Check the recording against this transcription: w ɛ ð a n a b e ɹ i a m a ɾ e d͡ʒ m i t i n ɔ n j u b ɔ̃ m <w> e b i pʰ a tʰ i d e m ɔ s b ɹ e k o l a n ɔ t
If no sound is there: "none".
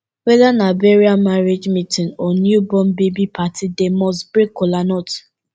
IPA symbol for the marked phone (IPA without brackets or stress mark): b